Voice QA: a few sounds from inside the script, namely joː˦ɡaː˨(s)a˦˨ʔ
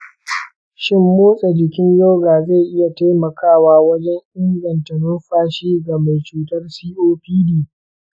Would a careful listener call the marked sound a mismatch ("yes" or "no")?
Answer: yes